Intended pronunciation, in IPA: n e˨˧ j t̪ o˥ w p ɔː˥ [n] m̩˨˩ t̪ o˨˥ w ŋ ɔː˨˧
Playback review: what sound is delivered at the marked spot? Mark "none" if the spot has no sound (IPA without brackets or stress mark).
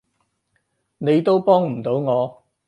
ŋ